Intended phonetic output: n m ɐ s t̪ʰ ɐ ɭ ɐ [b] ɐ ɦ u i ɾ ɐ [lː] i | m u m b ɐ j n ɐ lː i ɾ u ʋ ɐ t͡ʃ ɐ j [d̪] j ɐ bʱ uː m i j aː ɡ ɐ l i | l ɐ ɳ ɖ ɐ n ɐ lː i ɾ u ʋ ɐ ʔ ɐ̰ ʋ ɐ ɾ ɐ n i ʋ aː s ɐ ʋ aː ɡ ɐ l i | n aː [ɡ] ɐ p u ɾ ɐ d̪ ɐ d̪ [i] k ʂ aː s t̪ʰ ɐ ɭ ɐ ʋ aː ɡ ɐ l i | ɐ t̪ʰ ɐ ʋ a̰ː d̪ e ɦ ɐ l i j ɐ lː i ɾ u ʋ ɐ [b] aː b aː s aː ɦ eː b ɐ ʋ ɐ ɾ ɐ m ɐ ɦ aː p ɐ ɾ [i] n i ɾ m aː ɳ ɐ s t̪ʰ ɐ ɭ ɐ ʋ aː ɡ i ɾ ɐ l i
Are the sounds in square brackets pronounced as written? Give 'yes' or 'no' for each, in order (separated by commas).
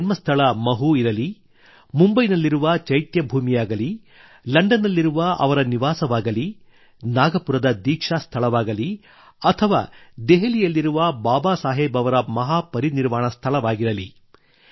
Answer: no, no, no, yes, no, yes, yes